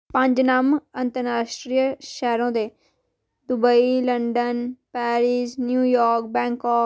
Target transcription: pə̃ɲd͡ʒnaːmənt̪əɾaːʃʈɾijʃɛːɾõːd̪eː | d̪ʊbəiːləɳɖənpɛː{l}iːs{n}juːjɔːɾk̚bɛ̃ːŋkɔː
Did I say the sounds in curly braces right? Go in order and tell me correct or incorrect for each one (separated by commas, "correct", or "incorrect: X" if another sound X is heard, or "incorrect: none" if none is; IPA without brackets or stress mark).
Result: incorrect: ɾ, correct